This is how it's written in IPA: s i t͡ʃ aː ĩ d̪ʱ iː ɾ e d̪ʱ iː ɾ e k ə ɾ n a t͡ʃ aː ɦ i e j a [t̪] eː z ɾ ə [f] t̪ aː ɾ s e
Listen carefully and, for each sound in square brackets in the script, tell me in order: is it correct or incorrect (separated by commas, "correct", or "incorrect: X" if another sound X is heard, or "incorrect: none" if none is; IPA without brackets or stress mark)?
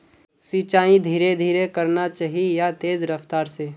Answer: correct, correct